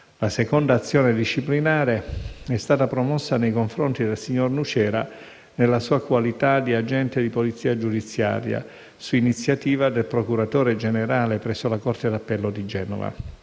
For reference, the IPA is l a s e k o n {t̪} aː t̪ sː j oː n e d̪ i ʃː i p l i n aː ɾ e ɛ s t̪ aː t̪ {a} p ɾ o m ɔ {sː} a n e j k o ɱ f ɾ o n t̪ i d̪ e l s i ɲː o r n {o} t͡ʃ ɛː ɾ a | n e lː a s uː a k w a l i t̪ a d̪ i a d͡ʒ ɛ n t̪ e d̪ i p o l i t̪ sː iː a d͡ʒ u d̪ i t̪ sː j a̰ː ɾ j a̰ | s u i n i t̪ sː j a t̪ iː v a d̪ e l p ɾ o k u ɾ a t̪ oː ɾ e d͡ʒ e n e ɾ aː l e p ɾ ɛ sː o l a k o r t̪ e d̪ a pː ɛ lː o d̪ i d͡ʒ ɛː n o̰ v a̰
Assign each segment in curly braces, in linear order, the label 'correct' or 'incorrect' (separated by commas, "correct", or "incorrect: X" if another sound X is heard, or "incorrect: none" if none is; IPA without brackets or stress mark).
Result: incorrect: d̪, correct, correct, incorrect: u